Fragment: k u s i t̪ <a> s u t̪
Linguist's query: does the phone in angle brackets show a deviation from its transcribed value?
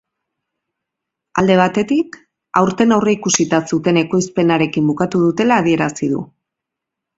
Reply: no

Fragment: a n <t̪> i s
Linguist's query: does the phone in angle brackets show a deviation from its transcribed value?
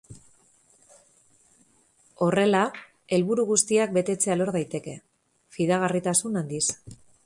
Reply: yes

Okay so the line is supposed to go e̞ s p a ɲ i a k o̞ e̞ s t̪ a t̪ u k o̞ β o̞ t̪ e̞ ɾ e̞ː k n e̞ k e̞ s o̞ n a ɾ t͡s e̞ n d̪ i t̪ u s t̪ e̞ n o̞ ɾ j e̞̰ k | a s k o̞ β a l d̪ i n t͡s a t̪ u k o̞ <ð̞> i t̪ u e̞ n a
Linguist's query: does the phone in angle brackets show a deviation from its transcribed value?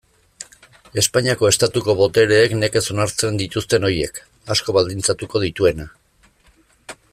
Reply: no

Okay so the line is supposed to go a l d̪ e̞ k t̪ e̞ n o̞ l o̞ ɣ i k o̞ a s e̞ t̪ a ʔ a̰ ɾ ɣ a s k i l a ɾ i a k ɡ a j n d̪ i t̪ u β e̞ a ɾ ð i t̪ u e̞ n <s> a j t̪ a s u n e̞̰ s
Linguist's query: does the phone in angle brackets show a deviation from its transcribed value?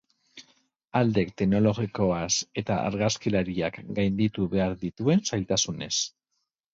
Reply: no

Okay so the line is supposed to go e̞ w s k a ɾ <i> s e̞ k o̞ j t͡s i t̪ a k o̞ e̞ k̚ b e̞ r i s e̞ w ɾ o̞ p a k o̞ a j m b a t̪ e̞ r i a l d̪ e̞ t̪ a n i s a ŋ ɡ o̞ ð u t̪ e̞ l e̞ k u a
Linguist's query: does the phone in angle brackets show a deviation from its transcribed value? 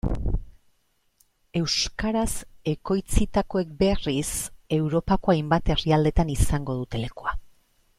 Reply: yes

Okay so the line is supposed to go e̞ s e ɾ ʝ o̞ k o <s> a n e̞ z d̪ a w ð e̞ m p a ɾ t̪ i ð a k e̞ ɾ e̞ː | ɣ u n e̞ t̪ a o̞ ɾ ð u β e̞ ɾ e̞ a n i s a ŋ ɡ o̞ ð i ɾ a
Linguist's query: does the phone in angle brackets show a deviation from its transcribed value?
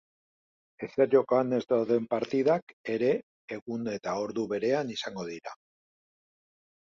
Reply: yes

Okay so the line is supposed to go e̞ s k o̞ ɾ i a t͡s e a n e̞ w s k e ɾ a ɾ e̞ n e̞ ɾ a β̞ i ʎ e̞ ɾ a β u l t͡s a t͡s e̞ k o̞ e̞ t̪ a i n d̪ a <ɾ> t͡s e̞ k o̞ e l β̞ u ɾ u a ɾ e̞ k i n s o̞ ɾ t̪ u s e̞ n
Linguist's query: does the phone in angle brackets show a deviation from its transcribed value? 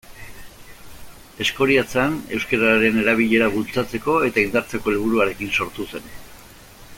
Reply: no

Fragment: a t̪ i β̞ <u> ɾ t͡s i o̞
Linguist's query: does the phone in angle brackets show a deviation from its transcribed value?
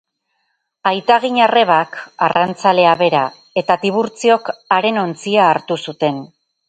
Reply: no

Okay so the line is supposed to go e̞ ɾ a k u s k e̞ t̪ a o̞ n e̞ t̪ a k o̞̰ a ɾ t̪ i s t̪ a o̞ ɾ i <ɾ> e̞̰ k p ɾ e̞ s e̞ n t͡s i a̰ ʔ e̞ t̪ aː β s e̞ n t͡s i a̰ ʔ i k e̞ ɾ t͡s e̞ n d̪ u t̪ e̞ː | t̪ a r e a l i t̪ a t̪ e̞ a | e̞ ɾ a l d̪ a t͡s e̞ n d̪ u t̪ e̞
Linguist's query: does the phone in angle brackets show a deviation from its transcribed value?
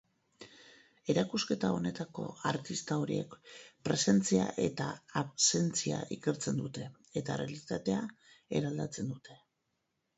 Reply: yes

